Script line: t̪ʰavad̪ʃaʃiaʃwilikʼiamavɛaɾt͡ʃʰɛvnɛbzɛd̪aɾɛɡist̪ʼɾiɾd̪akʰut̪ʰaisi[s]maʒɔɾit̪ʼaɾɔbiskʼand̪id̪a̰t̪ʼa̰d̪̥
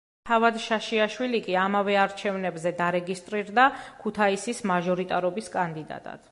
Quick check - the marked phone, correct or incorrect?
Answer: correct